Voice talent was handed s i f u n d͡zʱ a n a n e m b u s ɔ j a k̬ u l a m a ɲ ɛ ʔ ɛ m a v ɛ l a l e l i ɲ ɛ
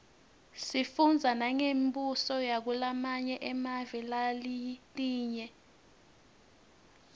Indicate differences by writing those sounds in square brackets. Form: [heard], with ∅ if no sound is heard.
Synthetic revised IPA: s i f u n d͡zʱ a n a [ŋ] e m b u s ɔ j a k̬ u l a m a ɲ ɛ ʔ ɛ m a v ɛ l a l [i] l [iː] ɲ ɛ